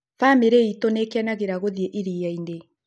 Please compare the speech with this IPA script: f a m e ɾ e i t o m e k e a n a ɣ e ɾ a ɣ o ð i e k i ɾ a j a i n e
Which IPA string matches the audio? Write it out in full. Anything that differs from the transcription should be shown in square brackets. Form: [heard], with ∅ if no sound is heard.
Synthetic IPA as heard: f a m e ɾ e i t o [n] e k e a n a ɣ e ɾ a ɣ o ð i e [ʔ] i ɾ [i] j a i n e

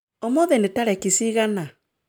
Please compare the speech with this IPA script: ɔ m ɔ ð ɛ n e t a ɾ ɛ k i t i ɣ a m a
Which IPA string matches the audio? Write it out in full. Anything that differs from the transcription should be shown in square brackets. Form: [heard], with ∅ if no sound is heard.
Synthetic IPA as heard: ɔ m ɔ ð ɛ n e t a ɾ ɛ k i [s] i ɣ a [n] a

